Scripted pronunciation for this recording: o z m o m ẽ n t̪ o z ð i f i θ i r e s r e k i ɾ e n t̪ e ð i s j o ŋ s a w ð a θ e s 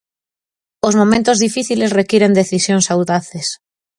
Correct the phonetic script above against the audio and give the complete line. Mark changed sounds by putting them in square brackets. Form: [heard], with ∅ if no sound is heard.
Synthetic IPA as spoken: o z m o m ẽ n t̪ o z ð i f i θ i [l] e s r e k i ɾ e n [d̪] e [θ] i s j o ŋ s a w ð a θ e s